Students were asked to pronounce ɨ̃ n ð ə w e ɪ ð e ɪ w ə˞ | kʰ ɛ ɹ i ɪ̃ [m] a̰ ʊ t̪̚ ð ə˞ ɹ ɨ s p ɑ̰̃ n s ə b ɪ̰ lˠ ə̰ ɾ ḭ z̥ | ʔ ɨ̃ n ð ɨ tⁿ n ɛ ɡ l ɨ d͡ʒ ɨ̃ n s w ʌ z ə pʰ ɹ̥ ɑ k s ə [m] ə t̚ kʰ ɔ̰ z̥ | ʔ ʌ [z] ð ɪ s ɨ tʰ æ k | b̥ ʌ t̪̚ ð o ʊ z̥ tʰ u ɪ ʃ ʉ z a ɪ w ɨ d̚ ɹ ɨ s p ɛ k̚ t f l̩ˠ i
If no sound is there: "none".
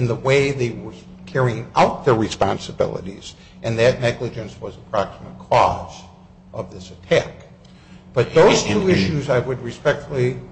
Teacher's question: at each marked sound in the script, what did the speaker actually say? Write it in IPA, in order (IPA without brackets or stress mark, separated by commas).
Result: ŋ, m, v